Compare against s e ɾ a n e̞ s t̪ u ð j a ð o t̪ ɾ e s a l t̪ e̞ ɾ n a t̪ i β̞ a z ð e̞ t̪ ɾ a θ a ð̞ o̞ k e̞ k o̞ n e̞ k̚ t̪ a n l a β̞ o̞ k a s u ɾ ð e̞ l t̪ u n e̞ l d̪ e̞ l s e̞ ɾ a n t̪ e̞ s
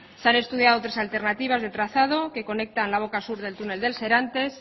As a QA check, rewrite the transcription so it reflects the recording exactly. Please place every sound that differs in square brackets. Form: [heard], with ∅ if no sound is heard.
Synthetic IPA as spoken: s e [∅] a n e̞ s t̪ u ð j a ð o t̪ ɾ e s a l t̪ e̞ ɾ n a t̪ i β̞ a z ð e̞ t̪ ɾ a θ a ð̞ o̞ k e̞ k o̞ n e̞ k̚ t̪ a n l a β̞ o̞ k a s u ɾ ð e̞ l t̪ u n e̞ l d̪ e̞ l s e̞ ɾ a n t̪ e̞ s